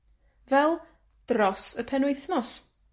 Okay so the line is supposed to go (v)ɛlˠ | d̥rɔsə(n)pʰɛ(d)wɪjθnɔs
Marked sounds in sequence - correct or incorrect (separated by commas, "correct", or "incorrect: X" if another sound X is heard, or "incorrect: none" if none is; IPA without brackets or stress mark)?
correct, incorrect: none, incorrect: n